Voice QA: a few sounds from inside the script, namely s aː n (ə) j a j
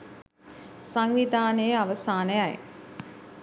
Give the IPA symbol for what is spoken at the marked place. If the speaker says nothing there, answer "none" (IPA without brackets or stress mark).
ə